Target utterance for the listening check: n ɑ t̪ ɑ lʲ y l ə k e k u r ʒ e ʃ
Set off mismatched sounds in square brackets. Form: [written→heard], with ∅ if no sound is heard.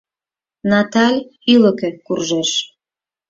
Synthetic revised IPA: n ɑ t̪ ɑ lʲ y l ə k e k u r ʒ e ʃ